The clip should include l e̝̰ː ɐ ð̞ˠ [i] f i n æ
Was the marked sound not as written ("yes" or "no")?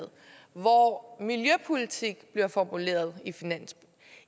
no